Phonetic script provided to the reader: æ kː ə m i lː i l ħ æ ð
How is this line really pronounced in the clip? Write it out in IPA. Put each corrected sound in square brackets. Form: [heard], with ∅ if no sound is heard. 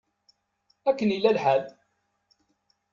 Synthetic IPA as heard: æ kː ə [n] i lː [æ] l ħ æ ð